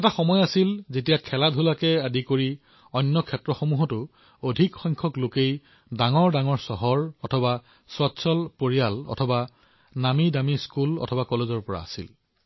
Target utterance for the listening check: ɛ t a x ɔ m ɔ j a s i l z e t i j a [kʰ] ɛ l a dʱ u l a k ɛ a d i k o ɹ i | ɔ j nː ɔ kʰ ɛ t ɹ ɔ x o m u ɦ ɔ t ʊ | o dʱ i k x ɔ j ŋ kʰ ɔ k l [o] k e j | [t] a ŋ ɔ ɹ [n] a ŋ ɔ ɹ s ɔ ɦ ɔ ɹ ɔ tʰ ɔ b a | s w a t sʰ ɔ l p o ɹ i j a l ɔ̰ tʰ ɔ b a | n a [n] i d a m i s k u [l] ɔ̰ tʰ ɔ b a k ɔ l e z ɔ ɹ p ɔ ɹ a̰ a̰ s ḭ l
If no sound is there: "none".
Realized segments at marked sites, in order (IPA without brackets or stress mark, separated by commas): kʰ, o, d, d, m, l